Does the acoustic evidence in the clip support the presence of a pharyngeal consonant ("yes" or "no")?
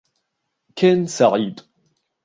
yes